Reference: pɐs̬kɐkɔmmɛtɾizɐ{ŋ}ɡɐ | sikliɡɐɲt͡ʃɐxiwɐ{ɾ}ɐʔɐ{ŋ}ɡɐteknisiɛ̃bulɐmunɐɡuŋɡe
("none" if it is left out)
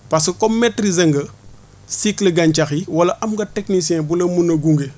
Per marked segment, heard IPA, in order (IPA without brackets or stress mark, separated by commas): ŋ, l, m